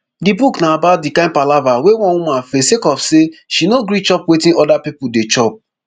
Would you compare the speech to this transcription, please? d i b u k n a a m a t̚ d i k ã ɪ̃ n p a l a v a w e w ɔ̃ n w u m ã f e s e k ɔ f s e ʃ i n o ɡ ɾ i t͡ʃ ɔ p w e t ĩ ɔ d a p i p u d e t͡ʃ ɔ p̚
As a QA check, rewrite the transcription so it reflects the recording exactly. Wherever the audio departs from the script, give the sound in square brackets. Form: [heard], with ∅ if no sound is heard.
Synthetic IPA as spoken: d i b u k n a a [b] a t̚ d i k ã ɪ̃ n p a l a v a w e w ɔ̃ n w u m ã f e s e k ɔ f s e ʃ i n o ɡ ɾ i t͡ʃ ɔ p w e t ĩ ɔ d a p i p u d e t͡ʃ ɔ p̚